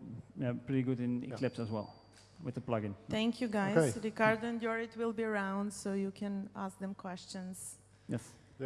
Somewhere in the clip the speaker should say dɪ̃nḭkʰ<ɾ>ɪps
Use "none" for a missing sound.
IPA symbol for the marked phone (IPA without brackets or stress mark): l